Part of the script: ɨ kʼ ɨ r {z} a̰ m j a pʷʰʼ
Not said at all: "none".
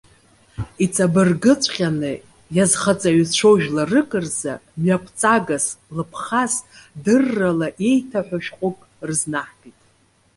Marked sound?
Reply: z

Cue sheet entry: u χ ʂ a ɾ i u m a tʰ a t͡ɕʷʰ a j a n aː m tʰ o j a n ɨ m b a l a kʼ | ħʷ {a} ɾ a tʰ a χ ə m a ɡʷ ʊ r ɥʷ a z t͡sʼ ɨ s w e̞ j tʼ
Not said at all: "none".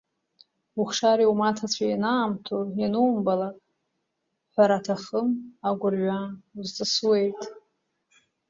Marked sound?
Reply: a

